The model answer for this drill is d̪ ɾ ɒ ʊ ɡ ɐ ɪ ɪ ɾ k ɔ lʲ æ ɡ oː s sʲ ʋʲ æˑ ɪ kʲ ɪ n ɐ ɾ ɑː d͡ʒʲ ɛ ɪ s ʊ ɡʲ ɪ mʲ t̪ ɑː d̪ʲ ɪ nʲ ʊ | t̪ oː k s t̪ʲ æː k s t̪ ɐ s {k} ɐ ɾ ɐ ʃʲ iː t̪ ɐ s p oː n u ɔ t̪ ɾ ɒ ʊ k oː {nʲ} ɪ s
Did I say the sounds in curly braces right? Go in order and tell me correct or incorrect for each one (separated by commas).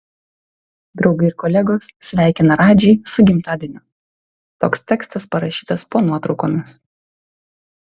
incorrect, incorrect